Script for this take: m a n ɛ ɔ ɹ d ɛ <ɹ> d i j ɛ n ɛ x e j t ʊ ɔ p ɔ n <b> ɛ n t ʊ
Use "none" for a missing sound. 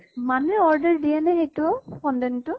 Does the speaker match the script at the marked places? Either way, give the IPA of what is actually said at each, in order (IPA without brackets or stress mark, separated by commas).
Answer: ɹ, d